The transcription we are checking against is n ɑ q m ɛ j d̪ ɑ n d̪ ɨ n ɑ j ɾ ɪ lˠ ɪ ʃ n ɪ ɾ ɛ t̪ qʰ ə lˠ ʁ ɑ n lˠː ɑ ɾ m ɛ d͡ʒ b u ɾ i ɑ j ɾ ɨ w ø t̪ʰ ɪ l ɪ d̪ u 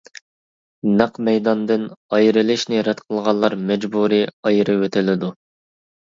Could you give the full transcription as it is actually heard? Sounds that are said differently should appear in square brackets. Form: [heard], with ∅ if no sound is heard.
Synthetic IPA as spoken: n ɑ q m ɛ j d̪ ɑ n d̪ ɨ n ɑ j ɾ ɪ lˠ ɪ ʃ n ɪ ɾ ɛ t̪ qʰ ə lˠ ʁ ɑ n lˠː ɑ ɾ m ɛ d͡ʒ b u ɾ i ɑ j ɾ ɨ w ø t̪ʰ ɪ l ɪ d̪ u